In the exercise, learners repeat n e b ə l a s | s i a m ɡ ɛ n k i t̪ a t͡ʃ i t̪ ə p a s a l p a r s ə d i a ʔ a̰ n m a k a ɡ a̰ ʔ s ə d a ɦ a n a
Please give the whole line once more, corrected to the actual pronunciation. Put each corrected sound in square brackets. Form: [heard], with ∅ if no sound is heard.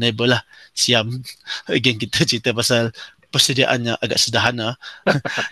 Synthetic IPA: n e b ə l a [h] | s i a m ɡ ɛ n k i t̪ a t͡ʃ i t̪ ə p a s a l p [ə] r s ə d i a ʔ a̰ n [ɲ] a [ʔ] a ɡ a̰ ʔ s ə d a ɦ a n a